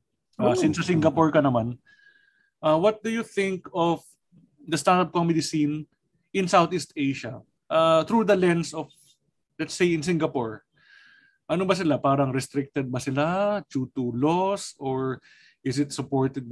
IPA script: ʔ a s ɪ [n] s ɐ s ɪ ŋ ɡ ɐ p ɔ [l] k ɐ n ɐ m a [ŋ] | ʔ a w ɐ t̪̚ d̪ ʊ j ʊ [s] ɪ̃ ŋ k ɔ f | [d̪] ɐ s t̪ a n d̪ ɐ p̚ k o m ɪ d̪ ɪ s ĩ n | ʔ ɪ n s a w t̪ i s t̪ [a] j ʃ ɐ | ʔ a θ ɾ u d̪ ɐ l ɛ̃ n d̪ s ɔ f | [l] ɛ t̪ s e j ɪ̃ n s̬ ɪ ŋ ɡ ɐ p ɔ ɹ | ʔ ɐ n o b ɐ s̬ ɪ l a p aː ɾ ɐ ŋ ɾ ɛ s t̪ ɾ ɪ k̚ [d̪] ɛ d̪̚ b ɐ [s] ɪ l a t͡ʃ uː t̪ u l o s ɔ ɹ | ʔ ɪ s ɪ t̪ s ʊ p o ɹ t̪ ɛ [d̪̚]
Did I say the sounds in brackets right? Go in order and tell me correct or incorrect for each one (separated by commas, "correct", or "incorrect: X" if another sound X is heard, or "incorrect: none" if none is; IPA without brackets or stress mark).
correct, incorrect: ɹ, incorrect: n, incorrect: θ, correct, incorrect: e, correct, incorrect: t̪, correct, correct